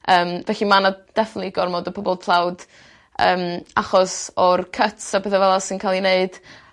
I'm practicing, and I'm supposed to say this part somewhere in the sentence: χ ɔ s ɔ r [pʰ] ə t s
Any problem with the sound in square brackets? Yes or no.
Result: yes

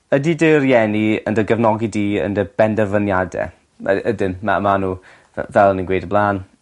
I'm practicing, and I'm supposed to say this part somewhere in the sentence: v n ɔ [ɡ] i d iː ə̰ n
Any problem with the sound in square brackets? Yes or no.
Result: no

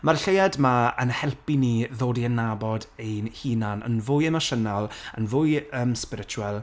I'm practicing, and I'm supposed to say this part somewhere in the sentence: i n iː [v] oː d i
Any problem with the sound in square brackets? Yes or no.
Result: yes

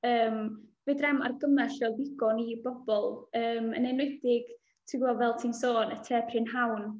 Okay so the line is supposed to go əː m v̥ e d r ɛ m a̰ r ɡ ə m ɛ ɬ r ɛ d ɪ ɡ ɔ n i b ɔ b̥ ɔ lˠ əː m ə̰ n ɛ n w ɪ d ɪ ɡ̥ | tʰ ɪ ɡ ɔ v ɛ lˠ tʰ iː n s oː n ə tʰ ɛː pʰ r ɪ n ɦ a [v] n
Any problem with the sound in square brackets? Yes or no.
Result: yes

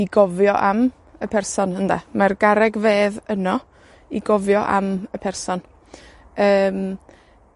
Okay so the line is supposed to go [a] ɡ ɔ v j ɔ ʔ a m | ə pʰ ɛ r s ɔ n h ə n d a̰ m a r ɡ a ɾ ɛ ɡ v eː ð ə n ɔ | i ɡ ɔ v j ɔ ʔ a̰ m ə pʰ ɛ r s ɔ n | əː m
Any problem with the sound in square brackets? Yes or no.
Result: yes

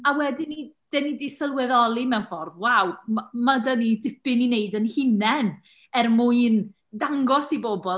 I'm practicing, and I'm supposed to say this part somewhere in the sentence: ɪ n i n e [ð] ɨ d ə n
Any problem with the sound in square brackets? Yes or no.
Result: yes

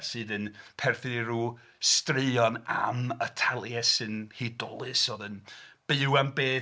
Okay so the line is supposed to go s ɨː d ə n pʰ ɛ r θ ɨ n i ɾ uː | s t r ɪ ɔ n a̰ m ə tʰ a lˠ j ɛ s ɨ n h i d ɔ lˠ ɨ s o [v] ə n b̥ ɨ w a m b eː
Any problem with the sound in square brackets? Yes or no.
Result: yes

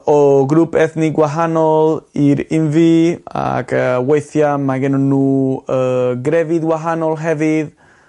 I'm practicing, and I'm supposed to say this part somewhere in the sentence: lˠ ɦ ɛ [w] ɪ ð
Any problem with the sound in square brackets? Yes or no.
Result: yes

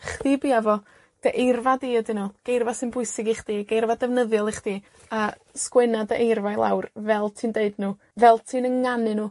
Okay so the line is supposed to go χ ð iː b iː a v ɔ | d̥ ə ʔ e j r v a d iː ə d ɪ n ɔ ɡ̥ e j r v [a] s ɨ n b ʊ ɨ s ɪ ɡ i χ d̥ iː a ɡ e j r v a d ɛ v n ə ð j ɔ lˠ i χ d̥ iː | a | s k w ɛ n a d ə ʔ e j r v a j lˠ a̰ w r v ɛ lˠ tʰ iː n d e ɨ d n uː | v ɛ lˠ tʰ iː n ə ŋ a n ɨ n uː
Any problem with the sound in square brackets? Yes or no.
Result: no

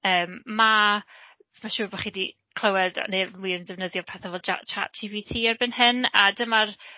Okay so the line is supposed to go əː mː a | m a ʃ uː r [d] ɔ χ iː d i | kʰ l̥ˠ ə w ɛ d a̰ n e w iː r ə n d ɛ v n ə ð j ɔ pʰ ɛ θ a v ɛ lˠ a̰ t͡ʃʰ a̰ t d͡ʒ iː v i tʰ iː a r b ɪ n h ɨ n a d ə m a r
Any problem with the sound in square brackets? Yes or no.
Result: yes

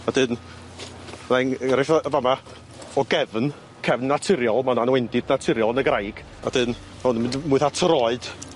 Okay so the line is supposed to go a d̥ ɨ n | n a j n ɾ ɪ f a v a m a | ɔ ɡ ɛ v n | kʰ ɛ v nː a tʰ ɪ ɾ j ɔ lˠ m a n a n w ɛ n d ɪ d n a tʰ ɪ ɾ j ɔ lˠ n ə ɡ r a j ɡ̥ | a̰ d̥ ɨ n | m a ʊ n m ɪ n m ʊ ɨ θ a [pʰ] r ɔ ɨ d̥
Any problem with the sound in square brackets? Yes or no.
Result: yes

